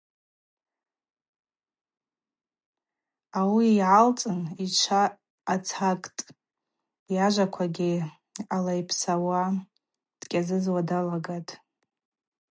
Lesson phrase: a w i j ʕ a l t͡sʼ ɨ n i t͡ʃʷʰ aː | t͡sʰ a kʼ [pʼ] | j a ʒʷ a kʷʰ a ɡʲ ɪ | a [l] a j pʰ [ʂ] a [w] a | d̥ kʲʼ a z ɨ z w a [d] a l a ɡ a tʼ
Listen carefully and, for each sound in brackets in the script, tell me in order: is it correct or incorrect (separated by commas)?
incorrect, correct, incorrect, correct, correct